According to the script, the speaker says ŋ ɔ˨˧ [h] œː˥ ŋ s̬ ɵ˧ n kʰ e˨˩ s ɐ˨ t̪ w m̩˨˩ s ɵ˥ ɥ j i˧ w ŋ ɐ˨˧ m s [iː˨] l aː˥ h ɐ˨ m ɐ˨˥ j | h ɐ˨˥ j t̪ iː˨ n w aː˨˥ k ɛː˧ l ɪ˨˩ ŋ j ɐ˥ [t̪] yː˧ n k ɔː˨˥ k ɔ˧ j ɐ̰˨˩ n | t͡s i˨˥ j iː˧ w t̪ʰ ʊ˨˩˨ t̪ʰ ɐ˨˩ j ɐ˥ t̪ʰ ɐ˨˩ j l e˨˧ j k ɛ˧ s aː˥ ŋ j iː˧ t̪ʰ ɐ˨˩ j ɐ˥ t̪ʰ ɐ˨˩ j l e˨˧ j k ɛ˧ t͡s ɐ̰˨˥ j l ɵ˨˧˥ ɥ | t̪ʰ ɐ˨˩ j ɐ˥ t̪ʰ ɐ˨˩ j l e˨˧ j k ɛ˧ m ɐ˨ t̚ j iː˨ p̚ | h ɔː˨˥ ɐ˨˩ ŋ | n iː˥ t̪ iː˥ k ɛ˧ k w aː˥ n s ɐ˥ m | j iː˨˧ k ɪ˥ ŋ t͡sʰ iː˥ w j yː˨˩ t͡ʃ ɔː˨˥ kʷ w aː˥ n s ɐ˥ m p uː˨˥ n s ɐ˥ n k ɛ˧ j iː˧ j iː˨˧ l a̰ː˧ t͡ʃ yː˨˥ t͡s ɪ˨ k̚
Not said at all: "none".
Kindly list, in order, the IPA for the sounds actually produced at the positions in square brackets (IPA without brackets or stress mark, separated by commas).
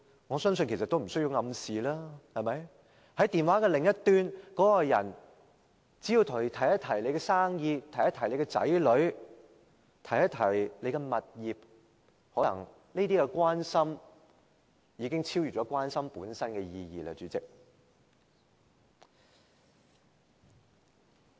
s, iː˨, t̪